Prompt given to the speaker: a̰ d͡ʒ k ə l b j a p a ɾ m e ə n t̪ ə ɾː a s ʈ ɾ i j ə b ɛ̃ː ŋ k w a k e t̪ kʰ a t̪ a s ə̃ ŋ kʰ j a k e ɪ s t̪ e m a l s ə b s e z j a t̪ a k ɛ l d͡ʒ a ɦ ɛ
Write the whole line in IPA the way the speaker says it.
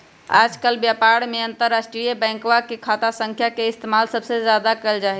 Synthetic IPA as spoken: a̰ d͡ʒ k ə l b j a p a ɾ m e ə n t̪ ə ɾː a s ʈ ɾ i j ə b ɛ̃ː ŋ k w a k e kʰ a t̪ a s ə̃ ŋ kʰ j a k e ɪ s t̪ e m a l s ə b s e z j a d̪ a k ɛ l d͡ʒ a ɦ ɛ